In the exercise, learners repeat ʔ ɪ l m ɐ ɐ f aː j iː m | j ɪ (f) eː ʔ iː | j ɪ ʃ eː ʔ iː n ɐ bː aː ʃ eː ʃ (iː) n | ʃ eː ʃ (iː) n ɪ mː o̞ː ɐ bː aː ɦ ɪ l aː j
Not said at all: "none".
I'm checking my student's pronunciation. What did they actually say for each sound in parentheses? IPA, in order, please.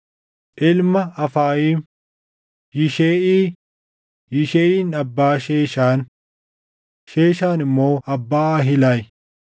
ʃ, aː, aː

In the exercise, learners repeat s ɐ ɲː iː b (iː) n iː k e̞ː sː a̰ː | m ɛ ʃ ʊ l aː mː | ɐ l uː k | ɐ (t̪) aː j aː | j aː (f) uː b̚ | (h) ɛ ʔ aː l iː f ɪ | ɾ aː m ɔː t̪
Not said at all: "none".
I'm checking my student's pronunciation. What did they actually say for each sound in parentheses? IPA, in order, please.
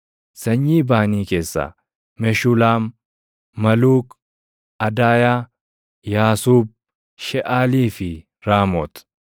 aː, d̪, s, ʃ

